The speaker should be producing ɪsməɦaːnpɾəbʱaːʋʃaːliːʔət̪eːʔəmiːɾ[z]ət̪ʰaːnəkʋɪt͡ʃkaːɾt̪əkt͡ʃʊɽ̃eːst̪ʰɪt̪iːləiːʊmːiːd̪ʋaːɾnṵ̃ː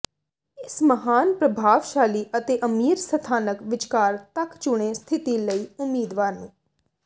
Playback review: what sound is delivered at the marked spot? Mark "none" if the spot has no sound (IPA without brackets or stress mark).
s